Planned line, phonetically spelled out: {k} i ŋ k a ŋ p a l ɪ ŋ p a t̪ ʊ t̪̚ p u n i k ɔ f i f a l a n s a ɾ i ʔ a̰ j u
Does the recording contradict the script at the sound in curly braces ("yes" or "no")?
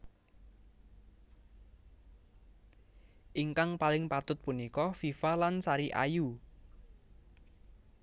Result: yes